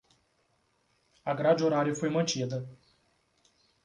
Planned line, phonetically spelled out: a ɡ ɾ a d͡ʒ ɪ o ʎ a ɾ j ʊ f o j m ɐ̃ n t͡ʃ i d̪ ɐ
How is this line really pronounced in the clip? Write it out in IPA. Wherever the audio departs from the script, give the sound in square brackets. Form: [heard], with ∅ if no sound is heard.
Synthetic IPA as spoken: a ɡ ɾ a d͡ʒ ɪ o [ɾ] a ɾ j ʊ f o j m ɐ̃ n t͡ʃ i d̪ ɐ